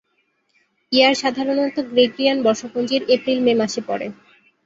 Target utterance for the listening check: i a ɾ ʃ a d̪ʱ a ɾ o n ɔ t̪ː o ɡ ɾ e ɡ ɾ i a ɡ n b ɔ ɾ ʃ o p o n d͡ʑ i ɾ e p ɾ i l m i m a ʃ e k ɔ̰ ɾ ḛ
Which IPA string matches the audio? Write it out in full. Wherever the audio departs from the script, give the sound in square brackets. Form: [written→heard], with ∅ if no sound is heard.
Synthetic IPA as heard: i a ɾ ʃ a d̪ʱ a ɾ o n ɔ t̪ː o ɡ ɾ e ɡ ɾ i a [ɡ→∅] n b ɔ ɾ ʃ o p o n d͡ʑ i ɾ e p ɾ i l m [i→e] m a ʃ e [k→p] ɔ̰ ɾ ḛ